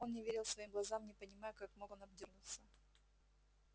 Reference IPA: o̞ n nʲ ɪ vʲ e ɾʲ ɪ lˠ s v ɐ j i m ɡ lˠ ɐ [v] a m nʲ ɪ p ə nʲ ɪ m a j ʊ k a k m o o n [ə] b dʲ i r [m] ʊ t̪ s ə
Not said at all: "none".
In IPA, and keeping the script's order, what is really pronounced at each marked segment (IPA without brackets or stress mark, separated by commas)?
z, ɐ, n